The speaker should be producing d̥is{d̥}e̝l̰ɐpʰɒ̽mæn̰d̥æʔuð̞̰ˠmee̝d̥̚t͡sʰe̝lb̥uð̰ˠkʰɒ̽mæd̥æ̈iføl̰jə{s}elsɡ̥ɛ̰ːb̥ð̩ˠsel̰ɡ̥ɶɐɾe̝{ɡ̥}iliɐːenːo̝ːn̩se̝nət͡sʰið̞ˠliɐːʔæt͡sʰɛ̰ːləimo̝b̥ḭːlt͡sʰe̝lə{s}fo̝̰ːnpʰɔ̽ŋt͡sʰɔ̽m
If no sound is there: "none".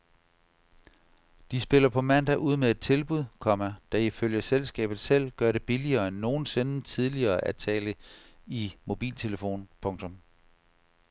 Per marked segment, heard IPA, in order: b̥, s, b̥, none

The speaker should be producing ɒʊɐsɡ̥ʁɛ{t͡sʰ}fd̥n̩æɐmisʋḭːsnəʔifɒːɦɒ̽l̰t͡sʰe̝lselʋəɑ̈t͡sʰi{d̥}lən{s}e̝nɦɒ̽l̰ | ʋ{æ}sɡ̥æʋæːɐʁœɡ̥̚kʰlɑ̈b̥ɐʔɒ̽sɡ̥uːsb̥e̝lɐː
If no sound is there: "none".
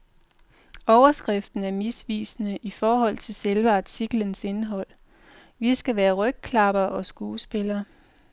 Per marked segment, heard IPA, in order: none, ɡ̥, s, i

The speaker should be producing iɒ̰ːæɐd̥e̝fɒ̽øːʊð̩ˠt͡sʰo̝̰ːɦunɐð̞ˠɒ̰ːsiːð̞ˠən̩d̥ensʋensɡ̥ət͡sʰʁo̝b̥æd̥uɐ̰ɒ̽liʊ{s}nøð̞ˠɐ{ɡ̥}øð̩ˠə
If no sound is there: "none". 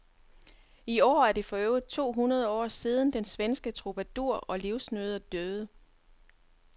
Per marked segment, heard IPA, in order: s, d̥

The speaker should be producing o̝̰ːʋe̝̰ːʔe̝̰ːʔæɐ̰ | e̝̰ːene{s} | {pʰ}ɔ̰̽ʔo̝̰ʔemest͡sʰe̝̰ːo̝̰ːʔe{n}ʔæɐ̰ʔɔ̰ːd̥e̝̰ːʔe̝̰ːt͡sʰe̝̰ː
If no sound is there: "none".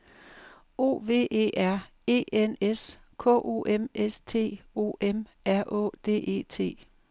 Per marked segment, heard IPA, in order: s, kʰ, m

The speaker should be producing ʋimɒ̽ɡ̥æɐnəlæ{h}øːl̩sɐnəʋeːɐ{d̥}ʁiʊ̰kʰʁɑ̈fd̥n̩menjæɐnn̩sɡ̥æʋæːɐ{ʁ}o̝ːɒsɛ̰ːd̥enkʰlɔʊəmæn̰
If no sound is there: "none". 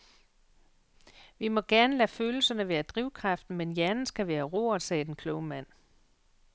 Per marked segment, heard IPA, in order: f, d̥, ʁ

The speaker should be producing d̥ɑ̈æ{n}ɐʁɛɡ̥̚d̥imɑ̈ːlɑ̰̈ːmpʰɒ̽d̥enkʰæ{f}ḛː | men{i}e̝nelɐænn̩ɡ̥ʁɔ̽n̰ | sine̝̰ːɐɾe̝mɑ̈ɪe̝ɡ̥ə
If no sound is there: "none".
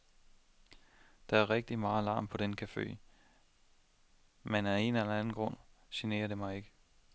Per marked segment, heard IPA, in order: none, f, æ

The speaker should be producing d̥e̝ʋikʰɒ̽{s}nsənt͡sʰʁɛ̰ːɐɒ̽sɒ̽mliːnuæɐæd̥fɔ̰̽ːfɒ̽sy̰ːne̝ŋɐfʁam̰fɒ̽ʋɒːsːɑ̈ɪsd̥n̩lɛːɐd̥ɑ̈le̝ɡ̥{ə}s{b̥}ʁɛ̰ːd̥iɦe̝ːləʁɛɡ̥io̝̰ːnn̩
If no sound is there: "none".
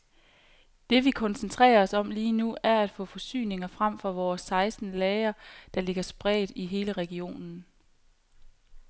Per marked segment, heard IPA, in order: none, ɐ, b̥

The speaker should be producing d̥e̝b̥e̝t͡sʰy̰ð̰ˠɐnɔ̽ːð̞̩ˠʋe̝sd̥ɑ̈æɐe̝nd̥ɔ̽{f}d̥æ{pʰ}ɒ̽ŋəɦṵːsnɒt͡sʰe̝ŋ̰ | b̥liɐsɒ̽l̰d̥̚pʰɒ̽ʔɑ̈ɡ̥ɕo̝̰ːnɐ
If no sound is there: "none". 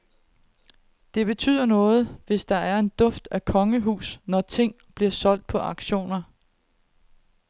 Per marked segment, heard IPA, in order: f, kʰ

